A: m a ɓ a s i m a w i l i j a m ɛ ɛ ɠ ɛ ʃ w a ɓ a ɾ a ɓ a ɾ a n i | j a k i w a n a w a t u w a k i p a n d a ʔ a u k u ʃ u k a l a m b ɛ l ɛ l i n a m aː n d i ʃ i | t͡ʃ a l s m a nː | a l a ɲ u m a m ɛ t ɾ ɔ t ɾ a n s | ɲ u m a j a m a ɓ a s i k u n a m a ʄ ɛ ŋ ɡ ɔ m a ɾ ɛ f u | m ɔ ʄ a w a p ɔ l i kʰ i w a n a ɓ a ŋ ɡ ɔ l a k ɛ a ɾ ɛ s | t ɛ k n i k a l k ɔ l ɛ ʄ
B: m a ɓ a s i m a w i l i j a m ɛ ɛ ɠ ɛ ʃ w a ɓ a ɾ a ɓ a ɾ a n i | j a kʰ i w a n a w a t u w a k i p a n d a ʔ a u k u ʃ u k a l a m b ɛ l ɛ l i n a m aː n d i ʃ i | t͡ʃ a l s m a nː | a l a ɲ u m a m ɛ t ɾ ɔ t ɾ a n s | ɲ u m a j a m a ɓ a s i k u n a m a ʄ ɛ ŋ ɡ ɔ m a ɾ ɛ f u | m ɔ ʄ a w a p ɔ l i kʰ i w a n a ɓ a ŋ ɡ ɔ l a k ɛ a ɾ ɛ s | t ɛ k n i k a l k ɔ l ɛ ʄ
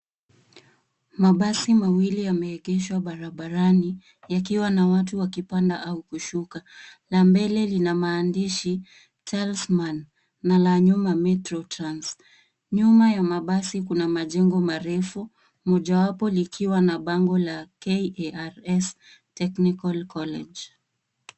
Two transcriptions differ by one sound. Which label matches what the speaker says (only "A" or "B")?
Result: A